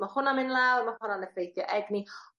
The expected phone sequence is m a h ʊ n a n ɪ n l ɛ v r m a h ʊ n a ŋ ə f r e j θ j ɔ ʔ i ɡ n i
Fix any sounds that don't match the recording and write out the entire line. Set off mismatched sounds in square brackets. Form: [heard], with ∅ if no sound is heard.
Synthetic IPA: m a h ʊ n a [m] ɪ n l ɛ [w] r m a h ʊ n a [n] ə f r e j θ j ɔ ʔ [ɛ] ɡ n i